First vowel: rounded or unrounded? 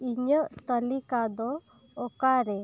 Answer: unrounded